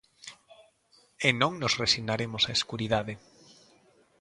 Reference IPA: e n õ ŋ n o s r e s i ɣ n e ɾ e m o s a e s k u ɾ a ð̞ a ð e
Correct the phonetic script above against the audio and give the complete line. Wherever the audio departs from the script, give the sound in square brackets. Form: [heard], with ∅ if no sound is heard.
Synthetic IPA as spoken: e n õ ŋ n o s r e s i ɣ n [a] ɾ e m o s a e s k u ɾ [i] ð̞ a ð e